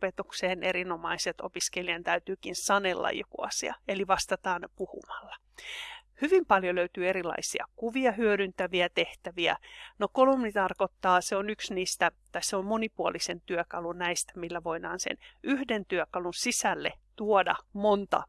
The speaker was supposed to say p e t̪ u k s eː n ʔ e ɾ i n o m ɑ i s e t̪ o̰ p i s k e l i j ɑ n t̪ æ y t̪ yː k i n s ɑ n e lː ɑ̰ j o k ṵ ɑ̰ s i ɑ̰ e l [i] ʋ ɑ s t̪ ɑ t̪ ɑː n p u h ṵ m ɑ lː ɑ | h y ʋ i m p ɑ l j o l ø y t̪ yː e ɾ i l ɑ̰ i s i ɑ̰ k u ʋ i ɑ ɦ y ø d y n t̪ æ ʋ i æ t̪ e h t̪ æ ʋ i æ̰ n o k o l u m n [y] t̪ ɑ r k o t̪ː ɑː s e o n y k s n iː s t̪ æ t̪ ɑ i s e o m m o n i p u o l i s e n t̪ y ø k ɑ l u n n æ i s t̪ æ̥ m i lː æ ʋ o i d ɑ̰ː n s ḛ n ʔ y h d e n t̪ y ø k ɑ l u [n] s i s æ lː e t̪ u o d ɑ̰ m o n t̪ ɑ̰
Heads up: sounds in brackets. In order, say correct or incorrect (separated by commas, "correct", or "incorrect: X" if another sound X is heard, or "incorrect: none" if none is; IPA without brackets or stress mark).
correct, incorrect: i, correct